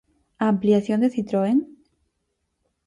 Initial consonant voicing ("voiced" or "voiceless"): voiced